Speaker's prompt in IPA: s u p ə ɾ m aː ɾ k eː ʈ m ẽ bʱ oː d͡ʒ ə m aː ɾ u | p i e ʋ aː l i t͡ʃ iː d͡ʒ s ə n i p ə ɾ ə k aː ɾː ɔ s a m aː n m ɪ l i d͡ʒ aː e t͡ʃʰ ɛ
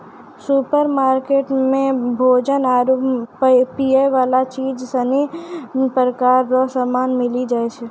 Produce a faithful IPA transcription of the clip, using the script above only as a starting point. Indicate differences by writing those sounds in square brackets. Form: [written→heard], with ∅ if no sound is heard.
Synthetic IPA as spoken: s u p ə ɾ m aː ɾ k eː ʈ m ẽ bʱ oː d͡ʒ ə [m→n] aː ɾ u | p i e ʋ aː l [i→a] t͡ʃ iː d͡ʒ s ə n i p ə ɾ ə k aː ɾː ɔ s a m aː n m ɪ l i d͡ʒ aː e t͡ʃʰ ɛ

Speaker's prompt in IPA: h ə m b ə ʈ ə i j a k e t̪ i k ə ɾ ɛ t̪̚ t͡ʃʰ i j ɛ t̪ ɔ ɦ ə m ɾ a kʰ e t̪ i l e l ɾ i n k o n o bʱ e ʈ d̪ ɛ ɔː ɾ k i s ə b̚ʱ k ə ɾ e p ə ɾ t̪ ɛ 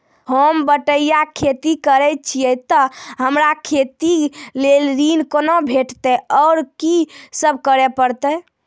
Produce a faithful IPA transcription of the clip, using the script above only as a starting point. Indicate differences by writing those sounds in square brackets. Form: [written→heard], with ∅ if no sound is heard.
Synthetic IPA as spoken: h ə m b ə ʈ ə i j a [k→kʰ] e t̪ i k ə ɾ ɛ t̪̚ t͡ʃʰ i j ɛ t̪ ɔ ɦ ə m ɾ a kʰ e t̪ i l e l ɾ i n k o n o bʱ e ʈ [d̪→t̪] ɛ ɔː ɾ k i s ə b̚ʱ k ə ɾ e p ə ɾ t̪ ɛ

